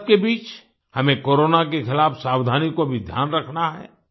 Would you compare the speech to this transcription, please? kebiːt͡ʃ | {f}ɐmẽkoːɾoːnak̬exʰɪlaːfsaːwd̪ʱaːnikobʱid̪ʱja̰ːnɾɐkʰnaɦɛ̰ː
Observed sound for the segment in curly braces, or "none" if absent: h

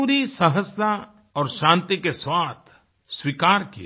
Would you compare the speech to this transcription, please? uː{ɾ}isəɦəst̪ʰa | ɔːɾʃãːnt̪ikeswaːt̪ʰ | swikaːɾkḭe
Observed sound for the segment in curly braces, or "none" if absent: ɾ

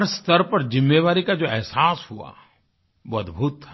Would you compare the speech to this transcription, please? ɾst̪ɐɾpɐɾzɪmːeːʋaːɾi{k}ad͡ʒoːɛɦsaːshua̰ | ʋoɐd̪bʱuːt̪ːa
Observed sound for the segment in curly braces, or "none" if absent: k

